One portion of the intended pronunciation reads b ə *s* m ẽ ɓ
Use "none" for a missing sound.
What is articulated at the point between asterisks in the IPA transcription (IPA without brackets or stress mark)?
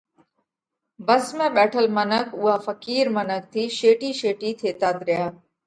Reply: s